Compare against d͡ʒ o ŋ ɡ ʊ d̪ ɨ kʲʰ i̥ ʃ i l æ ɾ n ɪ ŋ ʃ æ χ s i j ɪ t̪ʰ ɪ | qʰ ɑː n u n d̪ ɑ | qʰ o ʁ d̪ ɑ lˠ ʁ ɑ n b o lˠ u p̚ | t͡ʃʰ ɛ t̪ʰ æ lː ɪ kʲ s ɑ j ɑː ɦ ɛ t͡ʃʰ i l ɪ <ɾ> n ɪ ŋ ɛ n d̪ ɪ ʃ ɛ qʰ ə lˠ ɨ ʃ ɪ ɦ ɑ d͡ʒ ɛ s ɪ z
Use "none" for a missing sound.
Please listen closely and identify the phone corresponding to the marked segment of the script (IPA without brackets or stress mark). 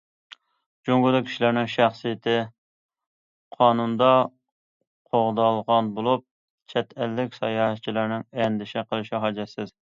ɾ